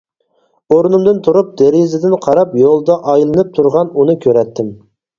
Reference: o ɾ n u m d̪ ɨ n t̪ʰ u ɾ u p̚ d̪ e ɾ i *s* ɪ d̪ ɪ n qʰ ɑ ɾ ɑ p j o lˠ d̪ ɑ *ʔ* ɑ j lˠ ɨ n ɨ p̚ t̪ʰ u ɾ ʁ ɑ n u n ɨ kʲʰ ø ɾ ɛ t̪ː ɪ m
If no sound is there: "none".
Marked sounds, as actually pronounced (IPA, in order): z, ʔ

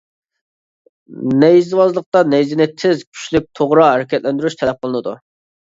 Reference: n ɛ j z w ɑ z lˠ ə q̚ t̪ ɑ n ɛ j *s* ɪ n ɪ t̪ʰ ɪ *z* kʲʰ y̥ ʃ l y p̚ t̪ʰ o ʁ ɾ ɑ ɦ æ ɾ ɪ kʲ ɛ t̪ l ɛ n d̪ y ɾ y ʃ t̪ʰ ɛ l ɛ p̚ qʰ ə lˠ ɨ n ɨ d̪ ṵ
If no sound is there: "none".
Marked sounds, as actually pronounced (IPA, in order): z, z

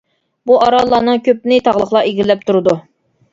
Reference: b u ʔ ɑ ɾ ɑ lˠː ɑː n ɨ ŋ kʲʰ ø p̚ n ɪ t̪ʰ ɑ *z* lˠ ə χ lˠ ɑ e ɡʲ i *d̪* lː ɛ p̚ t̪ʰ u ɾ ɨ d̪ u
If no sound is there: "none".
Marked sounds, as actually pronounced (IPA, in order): ʁ, none

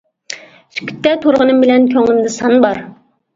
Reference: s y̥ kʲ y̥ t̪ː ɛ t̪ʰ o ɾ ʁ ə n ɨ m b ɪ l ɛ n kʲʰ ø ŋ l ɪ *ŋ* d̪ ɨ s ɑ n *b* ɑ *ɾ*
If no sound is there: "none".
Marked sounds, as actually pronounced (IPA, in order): m, b, ɾ

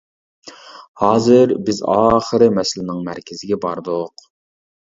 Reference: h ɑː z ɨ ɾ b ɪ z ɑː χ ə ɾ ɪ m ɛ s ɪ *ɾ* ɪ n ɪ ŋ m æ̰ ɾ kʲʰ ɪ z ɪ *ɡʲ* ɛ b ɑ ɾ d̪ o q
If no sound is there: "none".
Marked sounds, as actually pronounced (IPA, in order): l, ɡʲ

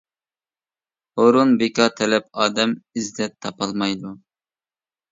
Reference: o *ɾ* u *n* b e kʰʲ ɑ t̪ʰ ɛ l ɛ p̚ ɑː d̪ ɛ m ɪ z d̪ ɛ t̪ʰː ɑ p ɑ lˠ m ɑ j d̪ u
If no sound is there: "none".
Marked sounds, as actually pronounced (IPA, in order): ɾ, n

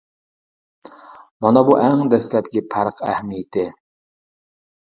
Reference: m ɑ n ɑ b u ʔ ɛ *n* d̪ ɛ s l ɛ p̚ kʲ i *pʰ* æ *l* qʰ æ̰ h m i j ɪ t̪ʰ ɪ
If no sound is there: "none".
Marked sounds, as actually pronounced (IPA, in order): ŋ, pʰ, ɾ

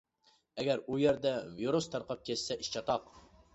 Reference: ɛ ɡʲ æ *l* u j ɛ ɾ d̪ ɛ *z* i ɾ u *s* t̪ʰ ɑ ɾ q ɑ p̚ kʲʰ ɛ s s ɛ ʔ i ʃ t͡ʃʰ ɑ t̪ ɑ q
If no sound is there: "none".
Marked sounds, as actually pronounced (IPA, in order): ɾ, v, s

